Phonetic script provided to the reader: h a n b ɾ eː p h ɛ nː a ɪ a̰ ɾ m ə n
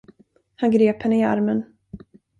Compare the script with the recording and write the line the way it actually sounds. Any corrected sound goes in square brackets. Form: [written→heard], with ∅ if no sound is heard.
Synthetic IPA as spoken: h a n [b→ɡ] ɾ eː p h ɛ nː [a→ə] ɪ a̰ ɾ m ə n